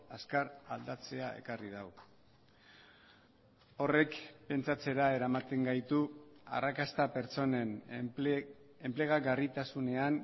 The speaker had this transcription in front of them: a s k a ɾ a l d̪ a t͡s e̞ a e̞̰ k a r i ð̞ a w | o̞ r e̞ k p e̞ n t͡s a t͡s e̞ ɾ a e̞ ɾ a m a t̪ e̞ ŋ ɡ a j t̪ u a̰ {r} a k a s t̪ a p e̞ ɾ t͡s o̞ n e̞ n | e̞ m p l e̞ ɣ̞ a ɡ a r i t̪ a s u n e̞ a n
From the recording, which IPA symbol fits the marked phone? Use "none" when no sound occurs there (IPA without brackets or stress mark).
r